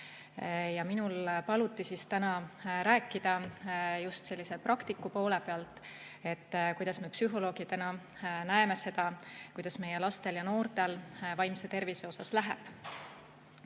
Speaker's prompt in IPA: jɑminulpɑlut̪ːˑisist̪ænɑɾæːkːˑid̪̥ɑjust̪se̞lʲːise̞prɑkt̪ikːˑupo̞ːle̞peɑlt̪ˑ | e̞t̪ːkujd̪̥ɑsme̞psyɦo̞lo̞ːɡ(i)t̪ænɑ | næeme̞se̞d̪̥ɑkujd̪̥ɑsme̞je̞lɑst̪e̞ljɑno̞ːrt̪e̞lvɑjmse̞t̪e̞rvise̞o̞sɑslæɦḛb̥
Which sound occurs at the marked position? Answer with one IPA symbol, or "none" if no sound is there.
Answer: i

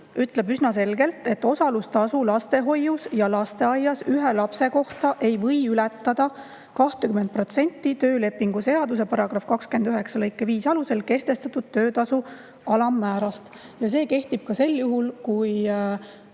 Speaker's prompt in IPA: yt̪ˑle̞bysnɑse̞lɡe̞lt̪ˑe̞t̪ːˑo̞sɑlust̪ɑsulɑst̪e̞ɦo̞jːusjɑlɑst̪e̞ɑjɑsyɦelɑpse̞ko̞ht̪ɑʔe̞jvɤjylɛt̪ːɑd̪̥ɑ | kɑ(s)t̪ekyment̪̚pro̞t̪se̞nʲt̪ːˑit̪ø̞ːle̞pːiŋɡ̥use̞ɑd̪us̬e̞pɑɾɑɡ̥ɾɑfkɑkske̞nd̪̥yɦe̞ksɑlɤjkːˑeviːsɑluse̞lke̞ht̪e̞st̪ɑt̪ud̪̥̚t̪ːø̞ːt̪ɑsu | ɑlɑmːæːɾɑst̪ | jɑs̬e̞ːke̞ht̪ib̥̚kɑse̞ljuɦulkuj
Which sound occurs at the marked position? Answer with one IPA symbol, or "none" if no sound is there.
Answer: h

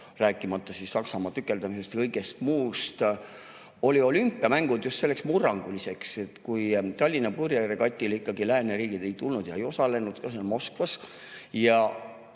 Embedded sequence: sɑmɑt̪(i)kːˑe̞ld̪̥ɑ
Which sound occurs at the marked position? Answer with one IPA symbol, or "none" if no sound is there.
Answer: y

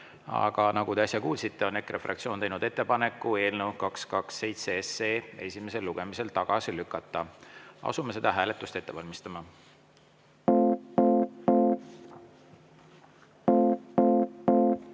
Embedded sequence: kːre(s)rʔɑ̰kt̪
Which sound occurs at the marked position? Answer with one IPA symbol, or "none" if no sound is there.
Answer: f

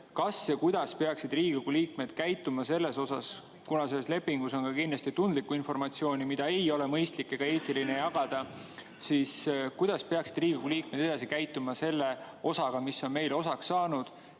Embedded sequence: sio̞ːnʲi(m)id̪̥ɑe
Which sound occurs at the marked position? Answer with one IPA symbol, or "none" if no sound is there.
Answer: m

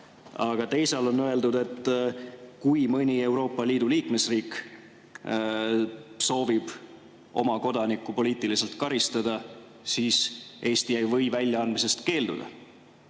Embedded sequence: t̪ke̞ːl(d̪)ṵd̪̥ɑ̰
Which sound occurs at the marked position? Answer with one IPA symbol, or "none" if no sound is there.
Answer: d̪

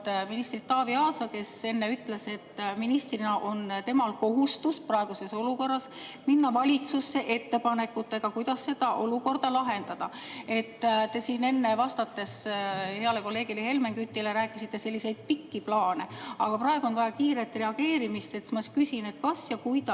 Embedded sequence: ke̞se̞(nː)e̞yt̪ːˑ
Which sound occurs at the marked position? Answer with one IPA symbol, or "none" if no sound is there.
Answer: nː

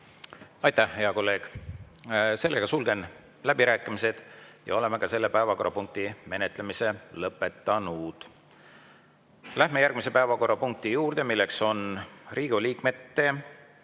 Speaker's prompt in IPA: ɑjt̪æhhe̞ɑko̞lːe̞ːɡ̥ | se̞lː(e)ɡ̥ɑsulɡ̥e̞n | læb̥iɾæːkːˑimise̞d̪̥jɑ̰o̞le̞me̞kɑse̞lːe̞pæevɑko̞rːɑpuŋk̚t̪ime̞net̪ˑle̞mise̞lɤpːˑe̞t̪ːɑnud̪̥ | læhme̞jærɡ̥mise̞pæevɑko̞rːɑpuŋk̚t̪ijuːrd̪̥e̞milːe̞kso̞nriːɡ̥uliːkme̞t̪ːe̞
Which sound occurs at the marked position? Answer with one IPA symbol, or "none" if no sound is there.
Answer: e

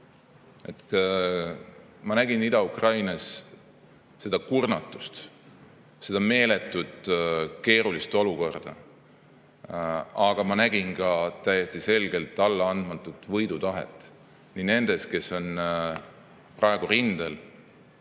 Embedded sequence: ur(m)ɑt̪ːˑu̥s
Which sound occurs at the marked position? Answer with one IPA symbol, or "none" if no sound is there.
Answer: n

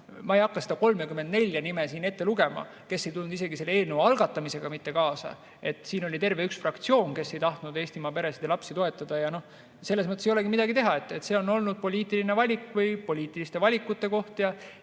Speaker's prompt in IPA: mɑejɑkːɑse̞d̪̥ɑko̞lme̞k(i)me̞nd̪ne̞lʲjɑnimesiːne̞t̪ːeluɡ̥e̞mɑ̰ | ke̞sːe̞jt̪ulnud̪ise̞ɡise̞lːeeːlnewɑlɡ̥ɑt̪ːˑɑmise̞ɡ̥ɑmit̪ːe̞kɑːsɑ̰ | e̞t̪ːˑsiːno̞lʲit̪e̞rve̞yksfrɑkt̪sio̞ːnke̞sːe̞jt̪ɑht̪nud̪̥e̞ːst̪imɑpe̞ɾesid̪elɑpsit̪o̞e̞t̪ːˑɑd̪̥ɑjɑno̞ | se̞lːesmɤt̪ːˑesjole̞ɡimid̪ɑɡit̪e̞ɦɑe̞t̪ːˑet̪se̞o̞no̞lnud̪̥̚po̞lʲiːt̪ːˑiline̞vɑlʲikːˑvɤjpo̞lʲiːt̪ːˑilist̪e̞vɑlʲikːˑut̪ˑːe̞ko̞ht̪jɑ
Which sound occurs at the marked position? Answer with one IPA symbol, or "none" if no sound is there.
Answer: y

